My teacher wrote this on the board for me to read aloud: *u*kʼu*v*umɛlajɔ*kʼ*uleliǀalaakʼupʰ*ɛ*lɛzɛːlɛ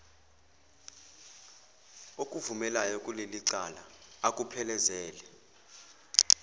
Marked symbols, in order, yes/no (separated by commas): no, yes, yes, yes